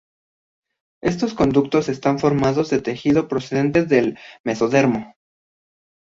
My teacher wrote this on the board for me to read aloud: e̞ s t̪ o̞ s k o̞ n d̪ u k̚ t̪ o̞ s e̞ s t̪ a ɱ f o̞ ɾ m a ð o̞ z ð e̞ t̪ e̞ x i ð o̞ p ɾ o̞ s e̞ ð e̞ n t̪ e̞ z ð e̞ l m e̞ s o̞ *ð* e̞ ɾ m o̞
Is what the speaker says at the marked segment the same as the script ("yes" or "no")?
yes